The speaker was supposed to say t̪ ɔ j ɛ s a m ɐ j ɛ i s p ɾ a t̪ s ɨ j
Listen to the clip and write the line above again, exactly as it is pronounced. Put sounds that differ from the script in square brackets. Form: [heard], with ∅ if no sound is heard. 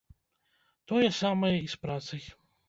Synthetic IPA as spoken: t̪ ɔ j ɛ s a m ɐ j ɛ i s p ɾ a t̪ s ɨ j